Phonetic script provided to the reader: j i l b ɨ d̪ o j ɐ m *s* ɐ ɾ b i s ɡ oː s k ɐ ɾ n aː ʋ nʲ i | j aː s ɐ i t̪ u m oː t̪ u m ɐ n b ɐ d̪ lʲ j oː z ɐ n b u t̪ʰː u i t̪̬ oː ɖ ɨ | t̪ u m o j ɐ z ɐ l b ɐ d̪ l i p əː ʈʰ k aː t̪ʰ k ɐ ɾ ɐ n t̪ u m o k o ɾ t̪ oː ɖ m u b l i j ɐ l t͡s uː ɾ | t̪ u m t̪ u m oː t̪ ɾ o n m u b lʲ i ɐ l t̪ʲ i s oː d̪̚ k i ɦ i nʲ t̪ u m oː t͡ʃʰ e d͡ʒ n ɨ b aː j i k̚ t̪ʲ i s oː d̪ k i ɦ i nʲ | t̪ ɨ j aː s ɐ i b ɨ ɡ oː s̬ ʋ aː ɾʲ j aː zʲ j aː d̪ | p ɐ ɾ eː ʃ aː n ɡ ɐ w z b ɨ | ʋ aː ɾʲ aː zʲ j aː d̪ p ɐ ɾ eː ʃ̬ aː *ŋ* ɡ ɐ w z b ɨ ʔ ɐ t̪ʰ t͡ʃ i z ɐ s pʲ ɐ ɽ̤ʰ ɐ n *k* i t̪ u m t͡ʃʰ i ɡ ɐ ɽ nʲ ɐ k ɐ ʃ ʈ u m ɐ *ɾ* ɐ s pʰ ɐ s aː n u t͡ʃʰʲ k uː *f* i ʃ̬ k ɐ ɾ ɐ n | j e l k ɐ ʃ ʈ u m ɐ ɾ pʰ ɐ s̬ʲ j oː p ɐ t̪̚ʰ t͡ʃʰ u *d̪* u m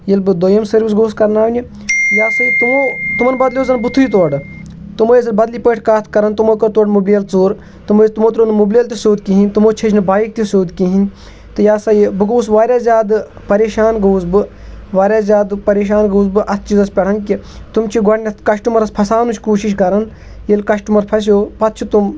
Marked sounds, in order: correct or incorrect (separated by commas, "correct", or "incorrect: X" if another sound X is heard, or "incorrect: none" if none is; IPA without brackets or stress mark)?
correct, incorrect: n, correct, correct, incorrect: ʃ, incorrect: t̪